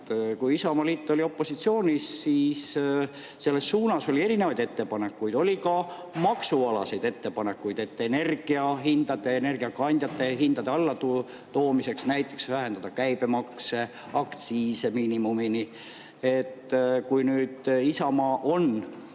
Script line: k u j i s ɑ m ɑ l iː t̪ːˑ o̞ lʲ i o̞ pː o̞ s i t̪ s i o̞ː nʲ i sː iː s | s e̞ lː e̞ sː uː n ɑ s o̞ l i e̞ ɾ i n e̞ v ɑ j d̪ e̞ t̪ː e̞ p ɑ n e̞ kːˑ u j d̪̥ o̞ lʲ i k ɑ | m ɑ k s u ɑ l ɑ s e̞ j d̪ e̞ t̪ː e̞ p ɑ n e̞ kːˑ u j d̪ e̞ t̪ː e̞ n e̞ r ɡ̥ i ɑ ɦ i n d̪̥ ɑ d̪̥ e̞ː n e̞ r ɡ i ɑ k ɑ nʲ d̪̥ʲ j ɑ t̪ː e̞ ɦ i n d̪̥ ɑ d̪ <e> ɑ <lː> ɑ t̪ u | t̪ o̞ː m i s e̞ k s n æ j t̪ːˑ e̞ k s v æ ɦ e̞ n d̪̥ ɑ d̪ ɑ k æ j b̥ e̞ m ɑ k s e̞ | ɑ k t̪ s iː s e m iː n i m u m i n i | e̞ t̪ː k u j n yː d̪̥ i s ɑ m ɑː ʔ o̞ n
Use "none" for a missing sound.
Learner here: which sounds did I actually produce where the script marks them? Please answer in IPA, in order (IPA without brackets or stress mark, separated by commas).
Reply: e, lː